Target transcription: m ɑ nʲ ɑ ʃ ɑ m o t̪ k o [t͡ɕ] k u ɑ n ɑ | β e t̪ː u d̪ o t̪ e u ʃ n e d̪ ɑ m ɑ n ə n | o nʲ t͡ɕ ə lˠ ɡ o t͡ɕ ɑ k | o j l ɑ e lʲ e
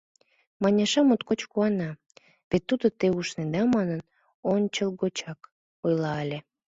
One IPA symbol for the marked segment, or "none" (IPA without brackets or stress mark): t͡ɕ